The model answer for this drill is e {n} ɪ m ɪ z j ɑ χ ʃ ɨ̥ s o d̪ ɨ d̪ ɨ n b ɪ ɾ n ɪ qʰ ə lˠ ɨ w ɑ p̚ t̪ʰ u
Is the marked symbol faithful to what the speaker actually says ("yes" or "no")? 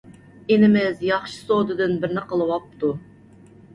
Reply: yes